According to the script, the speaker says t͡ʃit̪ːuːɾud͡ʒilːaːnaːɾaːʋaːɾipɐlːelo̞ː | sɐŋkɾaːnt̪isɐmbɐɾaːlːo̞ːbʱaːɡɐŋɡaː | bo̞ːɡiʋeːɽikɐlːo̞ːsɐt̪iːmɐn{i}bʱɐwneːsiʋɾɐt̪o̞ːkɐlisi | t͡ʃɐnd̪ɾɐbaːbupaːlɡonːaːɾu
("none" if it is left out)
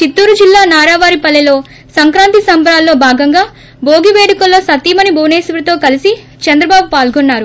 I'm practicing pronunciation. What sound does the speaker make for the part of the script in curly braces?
i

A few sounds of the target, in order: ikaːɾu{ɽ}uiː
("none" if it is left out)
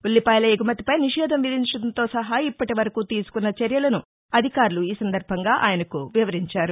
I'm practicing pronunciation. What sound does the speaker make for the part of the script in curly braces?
l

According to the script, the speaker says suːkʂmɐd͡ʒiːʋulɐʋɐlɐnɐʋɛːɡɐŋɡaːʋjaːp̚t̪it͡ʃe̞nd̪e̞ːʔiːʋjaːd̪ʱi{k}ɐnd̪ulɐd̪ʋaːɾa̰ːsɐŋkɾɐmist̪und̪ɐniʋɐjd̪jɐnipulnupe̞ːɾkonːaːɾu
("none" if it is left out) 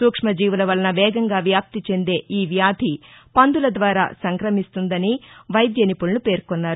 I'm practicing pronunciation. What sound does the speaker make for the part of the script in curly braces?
p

